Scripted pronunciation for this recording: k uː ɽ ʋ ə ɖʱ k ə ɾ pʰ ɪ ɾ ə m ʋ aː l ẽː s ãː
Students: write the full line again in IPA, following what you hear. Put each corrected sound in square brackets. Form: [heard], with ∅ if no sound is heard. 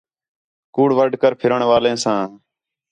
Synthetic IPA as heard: k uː ɽ ʋ ə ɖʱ k ə ɾ pʰ ɪ ɾ ə [ɳ] ʋ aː l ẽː s ãː

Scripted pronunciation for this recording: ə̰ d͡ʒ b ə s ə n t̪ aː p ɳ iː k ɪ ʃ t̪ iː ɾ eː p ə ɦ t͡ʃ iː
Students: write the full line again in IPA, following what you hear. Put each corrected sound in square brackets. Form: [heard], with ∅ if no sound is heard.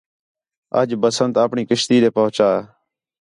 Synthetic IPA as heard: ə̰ d͡ʒ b ə s ə n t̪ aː p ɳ iː k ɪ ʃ t̪ iː ɾ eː p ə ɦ t͡ʃ [aː]

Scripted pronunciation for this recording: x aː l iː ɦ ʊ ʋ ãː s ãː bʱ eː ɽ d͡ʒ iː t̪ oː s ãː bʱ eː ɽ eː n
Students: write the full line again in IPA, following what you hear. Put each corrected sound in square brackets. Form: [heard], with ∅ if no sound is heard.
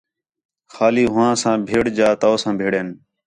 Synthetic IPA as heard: x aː l iː ɦ ʊ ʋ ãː s ãː bʱ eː ɽ d͡ʒ [aː] t̪ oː s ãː bʱ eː ɽ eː n

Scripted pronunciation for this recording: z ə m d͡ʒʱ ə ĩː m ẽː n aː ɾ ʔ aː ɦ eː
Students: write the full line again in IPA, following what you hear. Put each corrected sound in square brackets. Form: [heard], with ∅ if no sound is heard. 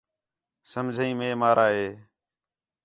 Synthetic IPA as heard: [s] ə m d͡ʒʱ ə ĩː m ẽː [m] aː ɾ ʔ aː ɦ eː

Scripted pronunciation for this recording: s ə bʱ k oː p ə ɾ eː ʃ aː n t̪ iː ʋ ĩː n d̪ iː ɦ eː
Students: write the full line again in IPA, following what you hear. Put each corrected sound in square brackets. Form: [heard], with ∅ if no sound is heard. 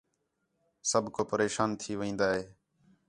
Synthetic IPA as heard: s ə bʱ k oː p ə ɾ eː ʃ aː n [t̪ʰ] iː ʋ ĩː n d̪ [aː] ɦ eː

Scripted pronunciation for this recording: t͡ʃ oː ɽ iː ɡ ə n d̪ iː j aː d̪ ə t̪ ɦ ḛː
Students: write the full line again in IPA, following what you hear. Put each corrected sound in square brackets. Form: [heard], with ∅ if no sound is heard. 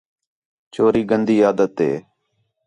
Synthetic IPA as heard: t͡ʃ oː [ɾ] iː ɡ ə n d̪ iː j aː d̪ ə t̪ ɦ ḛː

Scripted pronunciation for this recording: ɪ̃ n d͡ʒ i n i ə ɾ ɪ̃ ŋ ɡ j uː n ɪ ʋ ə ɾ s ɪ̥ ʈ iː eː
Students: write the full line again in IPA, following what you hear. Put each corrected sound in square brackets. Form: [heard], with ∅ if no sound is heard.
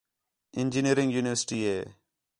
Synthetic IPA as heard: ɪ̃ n d͡ʒ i n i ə ɾ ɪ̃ ŋ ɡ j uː n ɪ ʋ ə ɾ s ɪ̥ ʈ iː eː

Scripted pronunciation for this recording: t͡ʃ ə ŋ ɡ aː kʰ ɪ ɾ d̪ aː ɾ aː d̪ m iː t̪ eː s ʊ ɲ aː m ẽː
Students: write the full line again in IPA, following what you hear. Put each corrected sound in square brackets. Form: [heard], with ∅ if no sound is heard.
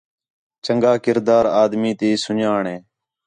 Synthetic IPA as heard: t͡ʃ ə ŋ ɡ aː [k] ɪ ɾ d̪ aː ɾ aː d̪ m iː t̪ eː s ʊ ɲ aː [ɳ] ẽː

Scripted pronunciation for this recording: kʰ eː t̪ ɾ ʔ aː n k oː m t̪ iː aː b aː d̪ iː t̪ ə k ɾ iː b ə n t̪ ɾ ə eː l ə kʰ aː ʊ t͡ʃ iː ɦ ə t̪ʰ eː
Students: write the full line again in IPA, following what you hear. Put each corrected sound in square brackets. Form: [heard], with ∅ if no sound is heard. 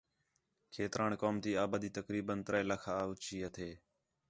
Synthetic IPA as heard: kʰ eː t̪ ɾ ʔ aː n k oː m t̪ iː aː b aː d̪ iː t̪ ə k ɾ iː b ə n t̪ ɾ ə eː l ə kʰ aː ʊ t͡ʃ iː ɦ ə t̪ʰ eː

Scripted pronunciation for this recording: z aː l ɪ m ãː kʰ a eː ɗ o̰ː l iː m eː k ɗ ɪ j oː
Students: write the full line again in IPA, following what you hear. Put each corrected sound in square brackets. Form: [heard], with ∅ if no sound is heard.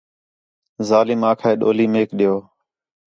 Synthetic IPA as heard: z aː l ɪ m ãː kʰ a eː ɗ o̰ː l iː m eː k ɗ ɪ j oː

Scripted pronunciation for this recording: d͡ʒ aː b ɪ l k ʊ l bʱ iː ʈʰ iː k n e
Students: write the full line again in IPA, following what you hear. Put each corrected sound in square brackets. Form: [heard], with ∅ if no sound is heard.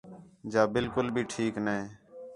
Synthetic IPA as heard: d͡ʒ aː b ɪ l k ʊ l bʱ iː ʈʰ iː k n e

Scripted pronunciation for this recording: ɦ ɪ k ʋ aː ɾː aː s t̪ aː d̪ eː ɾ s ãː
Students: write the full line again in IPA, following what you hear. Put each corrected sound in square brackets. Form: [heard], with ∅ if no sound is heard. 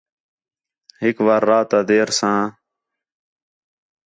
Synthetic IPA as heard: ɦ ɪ k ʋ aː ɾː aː [∅] t̪ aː d̪ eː ɾ s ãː

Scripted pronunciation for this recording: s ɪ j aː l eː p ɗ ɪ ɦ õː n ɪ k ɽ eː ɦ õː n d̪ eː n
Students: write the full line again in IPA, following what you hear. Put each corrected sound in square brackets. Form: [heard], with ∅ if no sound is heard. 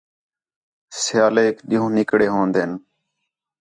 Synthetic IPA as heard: s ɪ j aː l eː [k] ɗ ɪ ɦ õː n ɪ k ɽ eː ɦ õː n d̪ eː n

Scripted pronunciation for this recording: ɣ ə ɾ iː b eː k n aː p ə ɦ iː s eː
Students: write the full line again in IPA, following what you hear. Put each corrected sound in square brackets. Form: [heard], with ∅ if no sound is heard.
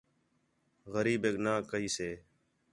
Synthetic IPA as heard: ɣ ə ɾ iː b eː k n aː [k] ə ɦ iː s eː

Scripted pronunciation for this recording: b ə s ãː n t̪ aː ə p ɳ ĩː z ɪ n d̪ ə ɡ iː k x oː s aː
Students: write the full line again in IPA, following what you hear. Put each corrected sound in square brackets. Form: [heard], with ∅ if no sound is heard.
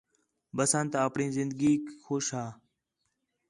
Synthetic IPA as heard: b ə s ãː n t̪ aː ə p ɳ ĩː z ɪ n d̪ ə ɡ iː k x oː [ʃ] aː

